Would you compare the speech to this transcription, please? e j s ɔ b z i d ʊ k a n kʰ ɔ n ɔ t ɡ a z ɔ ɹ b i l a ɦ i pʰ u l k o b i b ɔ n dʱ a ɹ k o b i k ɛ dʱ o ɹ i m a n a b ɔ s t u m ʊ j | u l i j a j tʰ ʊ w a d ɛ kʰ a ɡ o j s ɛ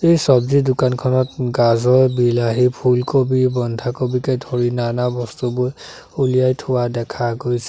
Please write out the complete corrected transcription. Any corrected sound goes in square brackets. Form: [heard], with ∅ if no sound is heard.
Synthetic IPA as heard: e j s ɔ b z i d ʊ k a n kʰ ɔ n ɔ t ɡ a z ɔ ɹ b i l a ɦ i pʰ u l k o b i b ɔ n dʱ a [∅] k o b i k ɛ dʱ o ɹ i [n] a n a b ɔ s t u [b] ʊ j | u l i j a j tʰ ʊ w a d ɛ kʰ a ɡ o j s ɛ